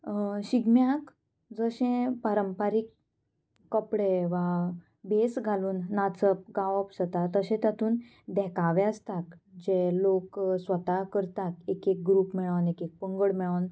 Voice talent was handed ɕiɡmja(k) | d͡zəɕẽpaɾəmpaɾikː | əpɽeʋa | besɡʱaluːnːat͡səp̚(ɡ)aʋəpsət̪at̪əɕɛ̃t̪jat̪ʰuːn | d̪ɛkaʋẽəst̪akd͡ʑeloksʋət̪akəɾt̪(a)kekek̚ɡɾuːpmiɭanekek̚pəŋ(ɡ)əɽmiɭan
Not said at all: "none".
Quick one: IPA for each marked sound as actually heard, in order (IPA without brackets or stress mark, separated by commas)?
k, ɡ, a, ɡ